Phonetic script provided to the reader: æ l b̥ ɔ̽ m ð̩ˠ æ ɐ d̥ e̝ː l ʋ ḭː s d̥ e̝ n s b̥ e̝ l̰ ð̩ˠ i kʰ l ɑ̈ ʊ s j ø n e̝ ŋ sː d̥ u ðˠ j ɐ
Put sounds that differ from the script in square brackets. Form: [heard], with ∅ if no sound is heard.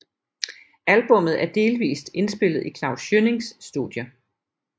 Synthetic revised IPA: æ l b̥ ɔ̽ m ð̩ˠ æ ɐ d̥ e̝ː l ʋ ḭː s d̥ e̝ n s b̥ e̝ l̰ ð̩ˠ i kʰ l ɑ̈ ʊ s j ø n e̝ ŋ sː d̥ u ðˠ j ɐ